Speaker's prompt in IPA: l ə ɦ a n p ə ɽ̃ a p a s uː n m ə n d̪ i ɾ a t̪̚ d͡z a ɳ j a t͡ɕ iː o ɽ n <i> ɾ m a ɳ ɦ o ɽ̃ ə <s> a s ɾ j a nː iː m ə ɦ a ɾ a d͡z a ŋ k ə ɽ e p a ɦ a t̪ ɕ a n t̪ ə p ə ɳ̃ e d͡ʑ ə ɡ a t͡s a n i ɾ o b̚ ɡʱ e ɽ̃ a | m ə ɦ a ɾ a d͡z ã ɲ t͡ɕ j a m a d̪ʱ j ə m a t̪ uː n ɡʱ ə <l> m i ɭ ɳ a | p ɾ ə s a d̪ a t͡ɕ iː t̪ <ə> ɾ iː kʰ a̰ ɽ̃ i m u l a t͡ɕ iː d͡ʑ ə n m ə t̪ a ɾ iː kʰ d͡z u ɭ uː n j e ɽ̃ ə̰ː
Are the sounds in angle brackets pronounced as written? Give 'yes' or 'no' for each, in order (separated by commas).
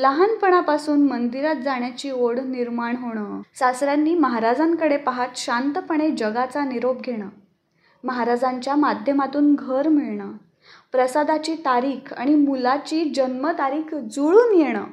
yes, yes, no, no